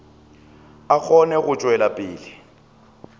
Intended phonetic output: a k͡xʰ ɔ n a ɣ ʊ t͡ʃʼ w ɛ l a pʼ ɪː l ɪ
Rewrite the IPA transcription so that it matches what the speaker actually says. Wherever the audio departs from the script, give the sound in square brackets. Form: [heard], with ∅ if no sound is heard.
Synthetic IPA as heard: a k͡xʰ ɔ n [ɛ] ɣ ʊ t͡ʃʼ w ɛ l a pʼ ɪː l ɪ